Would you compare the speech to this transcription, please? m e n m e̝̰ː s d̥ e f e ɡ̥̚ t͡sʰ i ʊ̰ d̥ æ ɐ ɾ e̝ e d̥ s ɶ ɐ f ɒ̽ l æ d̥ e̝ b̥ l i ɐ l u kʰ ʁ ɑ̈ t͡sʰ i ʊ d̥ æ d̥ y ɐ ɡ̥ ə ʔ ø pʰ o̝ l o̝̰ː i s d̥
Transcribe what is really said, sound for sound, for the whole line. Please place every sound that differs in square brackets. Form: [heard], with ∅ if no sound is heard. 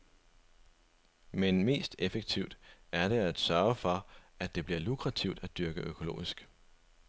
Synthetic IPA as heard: m e n m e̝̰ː s d̥ e f e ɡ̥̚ t͡sʰ i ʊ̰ d̥ æ ɐ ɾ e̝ [æ] d̥ s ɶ ɐ f ɒ̽ [∅] æ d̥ e̝ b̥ l i ɐ l u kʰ ʁ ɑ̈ t͡sʰ i ʊ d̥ æ d̥ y ɐ ɡ̥ ə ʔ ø [kʰ] o̝ l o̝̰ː i s [ɡ̥]